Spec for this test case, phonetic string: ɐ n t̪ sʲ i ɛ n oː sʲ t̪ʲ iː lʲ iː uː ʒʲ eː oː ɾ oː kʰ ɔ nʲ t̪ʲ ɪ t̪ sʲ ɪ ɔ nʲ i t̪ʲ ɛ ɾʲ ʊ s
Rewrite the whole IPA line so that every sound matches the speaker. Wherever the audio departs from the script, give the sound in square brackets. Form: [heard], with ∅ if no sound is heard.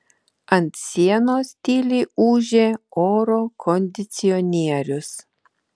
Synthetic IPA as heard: ɐ n t̪ sʲ i ɛ n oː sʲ t̪ʲ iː lʲ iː uː ʒʲ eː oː ɾ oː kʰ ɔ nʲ [d̪ʲ] ɪ t̪ sʲ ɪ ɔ nʲ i [∅] ɛ ɾʲ ʊ s